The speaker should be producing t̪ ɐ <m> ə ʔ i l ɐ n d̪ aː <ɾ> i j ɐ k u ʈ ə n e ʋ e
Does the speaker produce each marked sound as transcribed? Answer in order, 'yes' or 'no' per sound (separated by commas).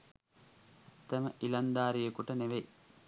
yes, yes